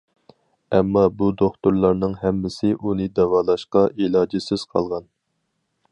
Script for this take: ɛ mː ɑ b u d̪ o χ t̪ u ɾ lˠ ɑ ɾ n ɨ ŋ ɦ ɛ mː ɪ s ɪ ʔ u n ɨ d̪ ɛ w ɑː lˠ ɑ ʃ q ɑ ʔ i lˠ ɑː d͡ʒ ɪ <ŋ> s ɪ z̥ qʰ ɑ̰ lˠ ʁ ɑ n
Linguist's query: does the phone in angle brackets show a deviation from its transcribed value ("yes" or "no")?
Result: yes